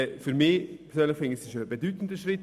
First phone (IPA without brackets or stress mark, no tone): f